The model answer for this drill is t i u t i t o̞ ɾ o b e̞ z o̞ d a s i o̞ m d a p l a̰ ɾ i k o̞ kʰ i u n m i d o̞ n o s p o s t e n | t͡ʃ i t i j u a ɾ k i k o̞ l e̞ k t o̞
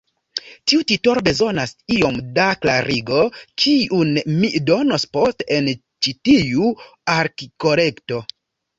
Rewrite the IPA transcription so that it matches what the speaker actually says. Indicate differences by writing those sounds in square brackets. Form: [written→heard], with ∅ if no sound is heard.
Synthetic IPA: t i u t i t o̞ ɾ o b e̞ z o̞ [d→n] a s i o̞ m d a [p→k] l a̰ ɾ i [k→ɡ] o̞ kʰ i u n m i d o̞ n o s p o s t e n | t͡ʃ i t i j u a ɾ k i k o̞ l e̞ k t o̞